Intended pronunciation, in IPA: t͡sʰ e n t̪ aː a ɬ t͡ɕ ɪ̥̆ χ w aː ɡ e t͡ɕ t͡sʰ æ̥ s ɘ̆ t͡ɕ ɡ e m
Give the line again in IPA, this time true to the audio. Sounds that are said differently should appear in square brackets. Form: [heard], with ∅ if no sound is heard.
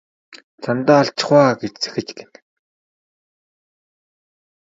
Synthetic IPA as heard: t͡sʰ [a] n t̪ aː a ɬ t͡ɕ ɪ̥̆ χ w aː ɡ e t͡ɕ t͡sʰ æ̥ [x] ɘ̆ t͡ɕ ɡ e [n]